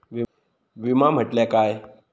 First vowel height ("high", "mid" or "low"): high